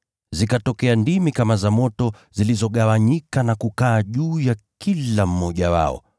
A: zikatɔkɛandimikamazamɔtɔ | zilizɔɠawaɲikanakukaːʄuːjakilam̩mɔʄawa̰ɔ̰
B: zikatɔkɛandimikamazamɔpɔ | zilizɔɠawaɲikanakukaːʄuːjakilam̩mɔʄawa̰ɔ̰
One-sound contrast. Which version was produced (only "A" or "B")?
A